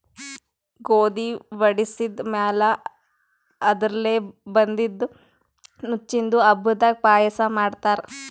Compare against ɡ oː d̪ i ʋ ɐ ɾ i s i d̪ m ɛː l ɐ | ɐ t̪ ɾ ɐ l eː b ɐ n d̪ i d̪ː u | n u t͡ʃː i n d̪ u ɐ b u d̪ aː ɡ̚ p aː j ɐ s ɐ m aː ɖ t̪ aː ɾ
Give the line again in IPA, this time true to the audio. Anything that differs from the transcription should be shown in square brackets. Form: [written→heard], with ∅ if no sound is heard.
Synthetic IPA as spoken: ɡ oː d̪ i ʋ ɐ [ɾ→ɽ] i s i d̪ m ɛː l ɐ | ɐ [t̪→d̪] ɾ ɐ l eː b ɐ n d̪ i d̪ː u | n u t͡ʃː i n d̪ u ɐ b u d̪ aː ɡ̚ p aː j ɐ s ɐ m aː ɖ t̪ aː ɾ

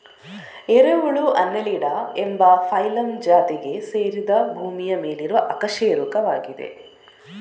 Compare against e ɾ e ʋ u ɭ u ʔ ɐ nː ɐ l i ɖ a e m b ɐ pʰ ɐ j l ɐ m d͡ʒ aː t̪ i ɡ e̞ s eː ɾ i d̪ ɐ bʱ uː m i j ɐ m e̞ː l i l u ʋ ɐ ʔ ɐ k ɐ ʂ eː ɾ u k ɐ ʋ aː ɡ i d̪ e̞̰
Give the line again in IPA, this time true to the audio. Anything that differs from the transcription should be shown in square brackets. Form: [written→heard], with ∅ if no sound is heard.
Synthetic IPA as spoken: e ɾ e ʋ u ɭ u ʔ ɐ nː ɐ l i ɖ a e m b ɐ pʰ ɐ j l ɐ m d͡ʒ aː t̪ i ɡ e̞ s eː ɾ i d̪ ɐ bʱ uː m i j ɐ m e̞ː l i [l→ɾ] u ʋ ɐ ʔ ɐ k ɐ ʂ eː ɾ u k ɐ ʋ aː ɡ i d̪ e̞̰

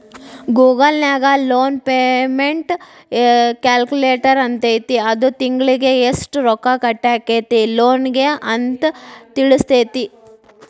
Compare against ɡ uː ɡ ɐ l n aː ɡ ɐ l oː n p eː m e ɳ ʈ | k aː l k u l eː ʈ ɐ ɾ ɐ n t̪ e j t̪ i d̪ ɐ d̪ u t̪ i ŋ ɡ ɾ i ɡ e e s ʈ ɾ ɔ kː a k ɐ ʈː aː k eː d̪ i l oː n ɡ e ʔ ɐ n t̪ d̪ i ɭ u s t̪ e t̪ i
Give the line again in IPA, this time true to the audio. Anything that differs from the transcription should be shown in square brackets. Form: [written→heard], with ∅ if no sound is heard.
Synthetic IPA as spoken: ɡ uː ɡ ɐ l n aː ɡ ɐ l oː n p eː m e ɳ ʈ | k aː l k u l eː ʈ ɐ ɾ ɐ n t̪ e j t̪ i [d̪→∅] ɐ d̪ u t̪ i ŋ ɡ [ɾ→ɭ] i ɡ e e s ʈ ɾ ɔ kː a k ɐ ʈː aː k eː [d̪→t̪] i l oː n ɡ e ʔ ɐ n t̪ [d̪→t̪] i ɭ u s t̪ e t̪ i

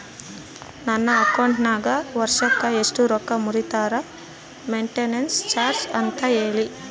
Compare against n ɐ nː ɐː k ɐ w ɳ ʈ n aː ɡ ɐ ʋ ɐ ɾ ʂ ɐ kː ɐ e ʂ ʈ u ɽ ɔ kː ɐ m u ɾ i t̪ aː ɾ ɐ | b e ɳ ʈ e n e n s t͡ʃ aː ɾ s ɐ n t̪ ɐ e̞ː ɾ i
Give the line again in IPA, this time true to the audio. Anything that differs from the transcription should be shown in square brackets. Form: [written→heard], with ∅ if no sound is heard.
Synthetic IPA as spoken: n ɐ nː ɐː k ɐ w ɳ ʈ n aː ɡ ɐ ʋ ɐ ɾ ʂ ɐ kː ɐ e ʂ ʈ u [ɽ→ɾ] ɔ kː ɐ m u ɾ i t̪ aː ɾ ɐ | [b→m] e ɳ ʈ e n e n s t͡ʃ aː ɾ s ɐ n t̪ ɐ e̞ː [ɾ→ɭ] i

